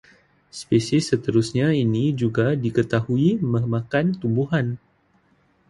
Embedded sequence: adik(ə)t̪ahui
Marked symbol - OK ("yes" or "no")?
yes